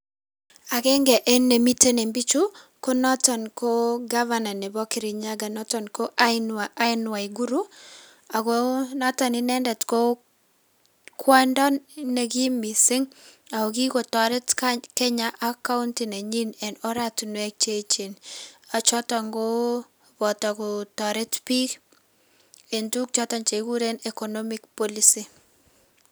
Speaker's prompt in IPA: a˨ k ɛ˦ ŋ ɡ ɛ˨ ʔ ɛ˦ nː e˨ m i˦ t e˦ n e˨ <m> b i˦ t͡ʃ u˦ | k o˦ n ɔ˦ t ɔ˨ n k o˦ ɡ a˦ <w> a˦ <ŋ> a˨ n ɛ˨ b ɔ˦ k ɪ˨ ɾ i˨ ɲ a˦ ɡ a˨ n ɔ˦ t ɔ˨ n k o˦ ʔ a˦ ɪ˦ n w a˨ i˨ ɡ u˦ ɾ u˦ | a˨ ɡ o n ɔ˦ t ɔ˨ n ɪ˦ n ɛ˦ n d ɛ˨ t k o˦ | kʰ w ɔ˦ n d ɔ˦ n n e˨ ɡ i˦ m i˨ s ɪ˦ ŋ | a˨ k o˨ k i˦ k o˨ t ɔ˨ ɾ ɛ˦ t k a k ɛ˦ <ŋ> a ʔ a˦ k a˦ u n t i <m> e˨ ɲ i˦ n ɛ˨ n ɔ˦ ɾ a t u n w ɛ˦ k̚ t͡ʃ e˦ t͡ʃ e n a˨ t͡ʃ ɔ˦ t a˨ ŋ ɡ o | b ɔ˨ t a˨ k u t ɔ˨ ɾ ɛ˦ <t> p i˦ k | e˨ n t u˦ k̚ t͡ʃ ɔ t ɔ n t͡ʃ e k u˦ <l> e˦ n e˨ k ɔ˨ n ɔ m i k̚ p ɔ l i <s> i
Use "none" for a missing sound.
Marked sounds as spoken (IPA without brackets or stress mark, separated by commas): m, v, n, ɲ, n, t, ɾ, s